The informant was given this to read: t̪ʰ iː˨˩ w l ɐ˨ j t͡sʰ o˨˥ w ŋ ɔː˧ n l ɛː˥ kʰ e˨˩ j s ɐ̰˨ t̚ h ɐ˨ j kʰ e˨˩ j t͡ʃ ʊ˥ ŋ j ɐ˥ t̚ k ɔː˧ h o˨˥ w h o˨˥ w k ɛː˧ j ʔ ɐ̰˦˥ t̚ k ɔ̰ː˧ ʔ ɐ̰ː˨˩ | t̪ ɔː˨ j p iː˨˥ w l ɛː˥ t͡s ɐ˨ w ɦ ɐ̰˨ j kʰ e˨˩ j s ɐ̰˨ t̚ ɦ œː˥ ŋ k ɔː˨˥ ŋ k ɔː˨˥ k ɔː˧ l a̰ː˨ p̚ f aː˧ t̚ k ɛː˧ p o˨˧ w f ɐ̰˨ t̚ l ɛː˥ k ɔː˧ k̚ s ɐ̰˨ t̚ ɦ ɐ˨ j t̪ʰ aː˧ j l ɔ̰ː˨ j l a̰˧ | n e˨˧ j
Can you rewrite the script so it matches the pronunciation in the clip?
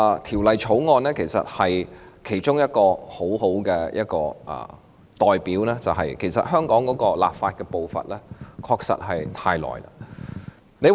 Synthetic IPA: t̪ʰ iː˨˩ w l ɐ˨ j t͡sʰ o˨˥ w ŋ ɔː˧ n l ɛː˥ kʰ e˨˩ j s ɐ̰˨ t̚ h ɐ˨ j kʰ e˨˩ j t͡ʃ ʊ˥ ŋ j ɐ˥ t̚ k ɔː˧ h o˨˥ w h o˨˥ w k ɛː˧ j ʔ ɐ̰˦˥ t̚ k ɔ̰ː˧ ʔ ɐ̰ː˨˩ | t̪ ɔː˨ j p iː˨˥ w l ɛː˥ t͡s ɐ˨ w ɦ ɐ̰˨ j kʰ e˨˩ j s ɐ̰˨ t̚ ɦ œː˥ ŋ k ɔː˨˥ ŋ k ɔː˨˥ k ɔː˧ l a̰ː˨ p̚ f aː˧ t̚ k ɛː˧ p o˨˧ w f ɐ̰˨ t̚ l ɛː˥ kʰ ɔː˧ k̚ s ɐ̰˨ t̚ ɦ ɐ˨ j t̪ʰ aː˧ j l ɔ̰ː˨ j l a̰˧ | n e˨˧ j